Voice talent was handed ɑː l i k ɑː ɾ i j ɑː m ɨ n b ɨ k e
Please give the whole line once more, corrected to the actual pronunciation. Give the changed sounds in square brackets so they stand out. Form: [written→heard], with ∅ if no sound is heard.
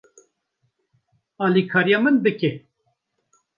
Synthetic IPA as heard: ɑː l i [k→kʰ] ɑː ɾ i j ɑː m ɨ n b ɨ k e